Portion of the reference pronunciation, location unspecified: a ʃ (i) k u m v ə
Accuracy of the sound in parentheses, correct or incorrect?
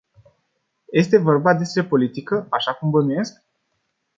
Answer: incorrect